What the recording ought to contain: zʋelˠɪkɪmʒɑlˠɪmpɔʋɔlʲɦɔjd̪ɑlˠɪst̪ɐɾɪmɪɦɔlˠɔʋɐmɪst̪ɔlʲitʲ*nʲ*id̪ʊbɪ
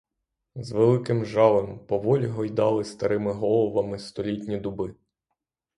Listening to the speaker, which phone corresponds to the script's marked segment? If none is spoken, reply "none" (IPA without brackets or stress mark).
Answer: nʲ